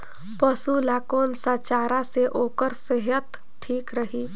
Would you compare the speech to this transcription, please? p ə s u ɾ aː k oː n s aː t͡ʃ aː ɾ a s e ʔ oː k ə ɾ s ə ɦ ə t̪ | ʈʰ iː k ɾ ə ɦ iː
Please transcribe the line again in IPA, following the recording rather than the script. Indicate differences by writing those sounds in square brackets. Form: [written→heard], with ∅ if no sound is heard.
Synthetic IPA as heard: p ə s u [ɾ→l] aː k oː n s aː t͡ʃ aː ɾ a s e ʔ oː k ə ɾ s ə ɦ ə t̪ | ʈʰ iː k ɾ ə ɦ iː